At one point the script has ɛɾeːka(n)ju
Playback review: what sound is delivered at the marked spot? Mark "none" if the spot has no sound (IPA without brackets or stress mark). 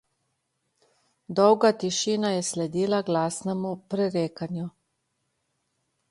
n